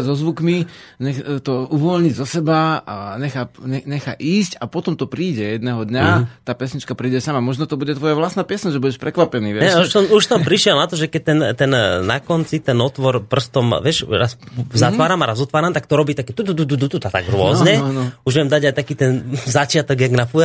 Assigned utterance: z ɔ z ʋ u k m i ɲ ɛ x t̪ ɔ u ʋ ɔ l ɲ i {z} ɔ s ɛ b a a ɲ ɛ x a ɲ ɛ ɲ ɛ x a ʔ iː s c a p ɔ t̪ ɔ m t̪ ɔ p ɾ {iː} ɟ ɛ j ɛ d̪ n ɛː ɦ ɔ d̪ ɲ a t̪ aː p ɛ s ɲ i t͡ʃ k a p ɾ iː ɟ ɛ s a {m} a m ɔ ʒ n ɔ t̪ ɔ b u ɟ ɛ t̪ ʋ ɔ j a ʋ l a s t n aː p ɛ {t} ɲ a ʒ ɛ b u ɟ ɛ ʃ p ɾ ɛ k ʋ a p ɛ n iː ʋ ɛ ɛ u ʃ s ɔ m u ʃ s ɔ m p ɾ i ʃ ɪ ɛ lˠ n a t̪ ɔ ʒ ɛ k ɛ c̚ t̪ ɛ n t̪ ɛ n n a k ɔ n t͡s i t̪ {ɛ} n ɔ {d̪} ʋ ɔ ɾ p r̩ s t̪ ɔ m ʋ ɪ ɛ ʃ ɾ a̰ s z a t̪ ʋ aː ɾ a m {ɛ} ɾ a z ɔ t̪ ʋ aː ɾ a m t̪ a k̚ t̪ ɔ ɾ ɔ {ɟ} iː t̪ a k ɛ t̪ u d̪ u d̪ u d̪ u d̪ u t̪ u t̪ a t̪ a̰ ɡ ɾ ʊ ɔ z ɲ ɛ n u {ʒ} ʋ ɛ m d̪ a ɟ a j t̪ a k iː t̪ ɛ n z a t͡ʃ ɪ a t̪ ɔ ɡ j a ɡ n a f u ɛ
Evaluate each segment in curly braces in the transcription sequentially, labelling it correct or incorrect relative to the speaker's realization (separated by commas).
correct, correct, correct, incorrect, correct, incorrect, incorrect, incorrect, correct